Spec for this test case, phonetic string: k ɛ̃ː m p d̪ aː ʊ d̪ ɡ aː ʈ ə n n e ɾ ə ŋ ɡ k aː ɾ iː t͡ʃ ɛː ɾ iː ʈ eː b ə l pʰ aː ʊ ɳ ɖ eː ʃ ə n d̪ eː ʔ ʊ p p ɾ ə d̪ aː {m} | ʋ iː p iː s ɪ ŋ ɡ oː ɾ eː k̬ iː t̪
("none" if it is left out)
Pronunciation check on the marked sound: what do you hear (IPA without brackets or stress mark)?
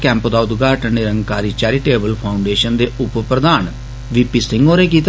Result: n